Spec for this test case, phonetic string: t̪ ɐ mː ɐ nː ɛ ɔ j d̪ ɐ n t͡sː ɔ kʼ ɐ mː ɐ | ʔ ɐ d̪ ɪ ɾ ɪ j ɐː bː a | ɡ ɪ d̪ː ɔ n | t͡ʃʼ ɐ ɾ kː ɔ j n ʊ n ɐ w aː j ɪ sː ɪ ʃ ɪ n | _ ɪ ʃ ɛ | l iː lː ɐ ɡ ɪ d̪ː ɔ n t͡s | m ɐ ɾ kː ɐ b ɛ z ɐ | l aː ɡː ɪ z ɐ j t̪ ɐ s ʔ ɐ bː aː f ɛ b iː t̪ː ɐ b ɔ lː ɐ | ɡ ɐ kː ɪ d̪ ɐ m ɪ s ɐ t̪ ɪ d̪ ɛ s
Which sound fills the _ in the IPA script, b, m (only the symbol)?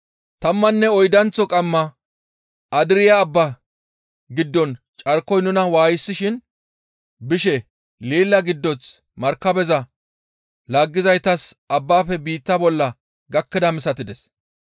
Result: b